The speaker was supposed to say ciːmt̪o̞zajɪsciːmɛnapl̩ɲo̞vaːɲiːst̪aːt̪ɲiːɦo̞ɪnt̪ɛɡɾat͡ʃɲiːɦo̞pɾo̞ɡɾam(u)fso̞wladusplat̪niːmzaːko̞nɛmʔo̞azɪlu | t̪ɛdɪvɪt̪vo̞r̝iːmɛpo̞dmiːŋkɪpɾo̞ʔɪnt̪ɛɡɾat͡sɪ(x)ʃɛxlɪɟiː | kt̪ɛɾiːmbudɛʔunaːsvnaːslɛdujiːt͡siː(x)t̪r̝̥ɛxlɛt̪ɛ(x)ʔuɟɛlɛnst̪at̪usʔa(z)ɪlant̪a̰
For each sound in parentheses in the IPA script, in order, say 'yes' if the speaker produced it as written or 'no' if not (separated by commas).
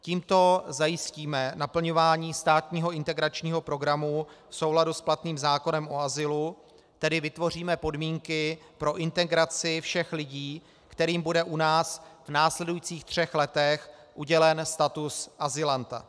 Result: yes, no, yes, yes, yes